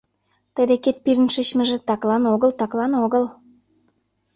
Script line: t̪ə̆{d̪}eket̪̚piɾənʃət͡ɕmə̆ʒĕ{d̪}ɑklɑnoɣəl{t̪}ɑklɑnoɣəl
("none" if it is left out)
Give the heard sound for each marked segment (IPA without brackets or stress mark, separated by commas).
d̪, t̪, t̪